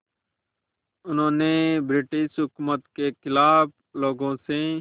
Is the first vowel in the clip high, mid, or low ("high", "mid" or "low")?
high